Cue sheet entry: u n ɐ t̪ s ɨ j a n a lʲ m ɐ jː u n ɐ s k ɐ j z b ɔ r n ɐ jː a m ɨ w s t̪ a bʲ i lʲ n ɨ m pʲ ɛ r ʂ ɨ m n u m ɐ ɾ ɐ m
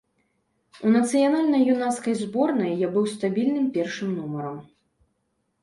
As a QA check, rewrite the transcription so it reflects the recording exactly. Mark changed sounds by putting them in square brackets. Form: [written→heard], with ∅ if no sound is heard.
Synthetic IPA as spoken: u n ɐ t̪ s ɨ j a n a lʲ [m→n] ɐ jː u n [ɐ→a] s k ɐ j z b ɔ r n ɐ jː a [m→b] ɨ w s t̪ a bʲ i lʲ n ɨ m pʲ ɛ r ʂ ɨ m n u m ɐ ɾ ɐ m